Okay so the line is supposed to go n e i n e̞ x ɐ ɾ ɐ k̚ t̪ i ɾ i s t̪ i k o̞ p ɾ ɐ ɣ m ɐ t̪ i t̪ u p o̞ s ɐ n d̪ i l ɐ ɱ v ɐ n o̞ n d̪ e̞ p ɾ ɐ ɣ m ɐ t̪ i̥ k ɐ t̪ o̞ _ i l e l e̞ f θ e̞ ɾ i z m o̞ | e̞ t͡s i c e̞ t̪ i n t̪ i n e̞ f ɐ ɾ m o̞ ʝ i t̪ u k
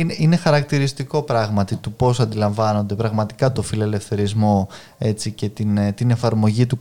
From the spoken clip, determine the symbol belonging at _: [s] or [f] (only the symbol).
f